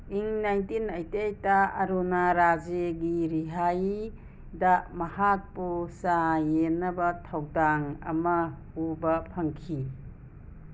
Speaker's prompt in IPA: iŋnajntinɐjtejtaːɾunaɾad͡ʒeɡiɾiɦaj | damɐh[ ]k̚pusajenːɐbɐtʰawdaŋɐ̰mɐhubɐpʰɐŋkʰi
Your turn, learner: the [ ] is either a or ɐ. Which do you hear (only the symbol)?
a